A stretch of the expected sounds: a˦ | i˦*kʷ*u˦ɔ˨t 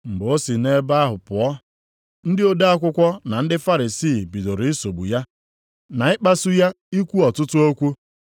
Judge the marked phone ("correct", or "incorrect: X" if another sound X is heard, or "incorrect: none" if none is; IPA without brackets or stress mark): correct